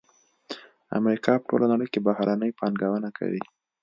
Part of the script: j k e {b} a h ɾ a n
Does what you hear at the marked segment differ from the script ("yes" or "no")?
no